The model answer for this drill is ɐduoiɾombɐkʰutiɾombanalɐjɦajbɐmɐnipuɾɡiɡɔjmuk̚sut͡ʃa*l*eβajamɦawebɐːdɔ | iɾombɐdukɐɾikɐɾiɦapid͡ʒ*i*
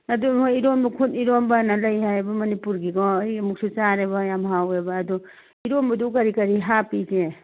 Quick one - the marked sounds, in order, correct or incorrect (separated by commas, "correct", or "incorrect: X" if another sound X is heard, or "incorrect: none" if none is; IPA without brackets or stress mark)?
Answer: incorrect: ɾ, incorrect: e